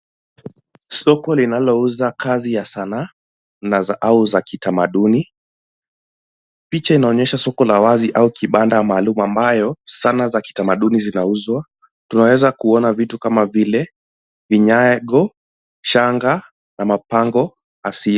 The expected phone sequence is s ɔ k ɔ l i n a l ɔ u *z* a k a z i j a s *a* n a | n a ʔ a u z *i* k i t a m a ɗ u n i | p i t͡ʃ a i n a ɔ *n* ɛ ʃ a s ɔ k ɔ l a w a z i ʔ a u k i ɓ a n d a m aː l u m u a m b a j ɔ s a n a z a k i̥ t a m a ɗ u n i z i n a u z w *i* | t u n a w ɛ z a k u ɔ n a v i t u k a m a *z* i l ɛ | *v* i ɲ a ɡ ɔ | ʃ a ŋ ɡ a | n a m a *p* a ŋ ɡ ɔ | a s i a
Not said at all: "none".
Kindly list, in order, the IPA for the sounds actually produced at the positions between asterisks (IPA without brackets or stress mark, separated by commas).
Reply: z, a, a, ɲ, a, v, v, p